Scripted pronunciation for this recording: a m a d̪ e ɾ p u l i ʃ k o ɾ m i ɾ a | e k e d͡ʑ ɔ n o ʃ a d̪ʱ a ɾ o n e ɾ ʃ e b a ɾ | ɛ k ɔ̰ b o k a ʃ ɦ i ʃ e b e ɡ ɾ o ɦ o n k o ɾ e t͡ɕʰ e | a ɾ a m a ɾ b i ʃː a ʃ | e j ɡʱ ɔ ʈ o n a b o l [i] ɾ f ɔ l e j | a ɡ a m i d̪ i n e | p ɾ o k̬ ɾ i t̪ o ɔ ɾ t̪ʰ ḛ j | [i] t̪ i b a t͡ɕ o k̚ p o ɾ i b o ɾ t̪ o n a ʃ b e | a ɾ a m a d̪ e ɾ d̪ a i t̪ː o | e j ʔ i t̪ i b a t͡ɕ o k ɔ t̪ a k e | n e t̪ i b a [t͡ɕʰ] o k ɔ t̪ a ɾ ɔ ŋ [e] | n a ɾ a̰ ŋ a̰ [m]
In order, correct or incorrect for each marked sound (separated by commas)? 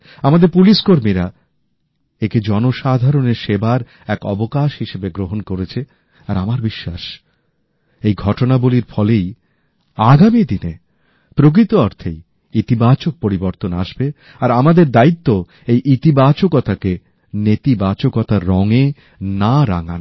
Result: correct, correct, incorrect, correct, incorrect